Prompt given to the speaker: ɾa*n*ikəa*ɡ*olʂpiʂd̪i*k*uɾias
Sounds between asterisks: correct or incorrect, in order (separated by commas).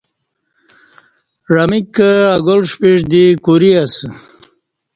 incorrect, correct, correct